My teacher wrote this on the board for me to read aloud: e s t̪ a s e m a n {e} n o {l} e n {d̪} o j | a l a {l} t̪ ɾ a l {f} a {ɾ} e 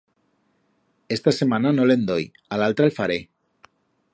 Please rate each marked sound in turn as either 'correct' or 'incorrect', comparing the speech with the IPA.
incorrect: a, correct, correct, correct, correct, correct

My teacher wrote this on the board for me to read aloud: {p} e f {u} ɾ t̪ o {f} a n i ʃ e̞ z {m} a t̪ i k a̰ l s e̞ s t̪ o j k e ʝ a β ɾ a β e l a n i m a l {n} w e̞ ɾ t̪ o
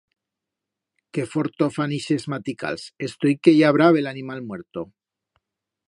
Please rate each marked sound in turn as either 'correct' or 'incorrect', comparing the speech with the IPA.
incorrect: k, incorrect: o, correct, correct, incorrect: m

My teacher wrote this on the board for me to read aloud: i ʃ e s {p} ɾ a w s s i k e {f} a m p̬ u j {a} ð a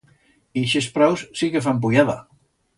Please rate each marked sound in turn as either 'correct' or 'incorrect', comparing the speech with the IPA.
correct, correct, correct

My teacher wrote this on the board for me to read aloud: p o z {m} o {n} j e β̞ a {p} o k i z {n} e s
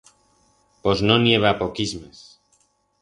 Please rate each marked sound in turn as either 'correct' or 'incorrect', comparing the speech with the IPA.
incorrect: n, correct, correct, incorrect: m

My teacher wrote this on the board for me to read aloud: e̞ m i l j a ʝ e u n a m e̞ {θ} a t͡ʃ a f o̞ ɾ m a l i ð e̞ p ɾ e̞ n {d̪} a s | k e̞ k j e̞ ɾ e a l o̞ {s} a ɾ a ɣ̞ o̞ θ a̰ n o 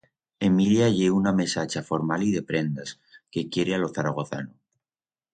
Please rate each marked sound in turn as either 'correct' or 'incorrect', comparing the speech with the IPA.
incorrect: s, correct, incorrect: θ

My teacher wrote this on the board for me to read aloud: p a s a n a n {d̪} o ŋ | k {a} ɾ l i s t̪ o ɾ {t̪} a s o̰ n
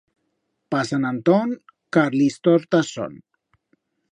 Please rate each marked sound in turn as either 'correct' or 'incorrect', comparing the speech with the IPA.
incorrect: t̪, correct, correct

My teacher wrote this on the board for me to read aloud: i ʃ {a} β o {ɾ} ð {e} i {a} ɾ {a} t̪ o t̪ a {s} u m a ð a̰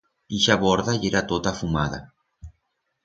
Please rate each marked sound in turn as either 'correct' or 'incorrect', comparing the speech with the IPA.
correct, correct, incorrect: a, incorrect: e, correct, incorrect: f

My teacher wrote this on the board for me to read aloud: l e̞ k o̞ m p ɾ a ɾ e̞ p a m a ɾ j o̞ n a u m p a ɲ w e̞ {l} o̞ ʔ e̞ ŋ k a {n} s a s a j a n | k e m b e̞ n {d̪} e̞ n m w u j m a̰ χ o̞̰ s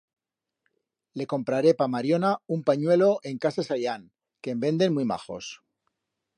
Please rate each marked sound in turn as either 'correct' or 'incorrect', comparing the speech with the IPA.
correct, incorrect: none, correct

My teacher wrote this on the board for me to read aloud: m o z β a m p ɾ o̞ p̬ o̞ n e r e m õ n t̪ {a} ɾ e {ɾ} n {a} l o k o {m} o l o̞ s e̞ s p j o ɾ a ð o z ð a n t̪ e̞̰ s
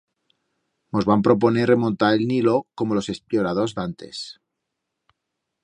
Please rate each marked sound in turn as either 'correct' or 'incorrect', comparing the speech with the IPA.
correct, incorrect: l, incorrect: i, correct

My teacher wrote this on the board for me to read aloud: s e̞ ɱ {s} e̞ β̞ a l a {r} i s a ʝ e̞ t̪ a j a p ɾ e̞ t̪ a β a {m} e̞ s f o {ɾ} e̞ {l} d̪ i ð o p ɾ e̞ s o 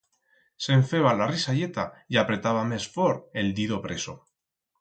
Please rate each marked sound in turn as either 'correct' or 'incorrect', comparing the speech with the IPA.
incorrect: f, correct, correct, correct, correct

